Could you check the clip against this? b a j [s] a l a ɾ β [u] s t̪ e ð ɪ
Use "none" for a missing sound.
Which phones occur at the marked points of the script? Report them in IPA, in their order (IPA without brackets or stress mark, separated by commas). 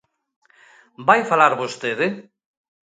f, o